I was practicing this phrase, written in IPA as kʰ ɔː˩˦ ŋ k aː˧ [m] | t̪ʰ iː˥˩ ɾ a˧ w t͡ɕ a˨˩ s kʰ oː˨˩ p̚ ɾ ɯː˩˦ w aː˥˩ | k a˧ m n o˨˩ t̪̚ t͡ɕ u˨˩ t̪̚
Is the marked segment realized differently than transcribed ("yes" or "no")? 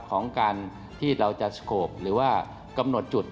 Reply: yes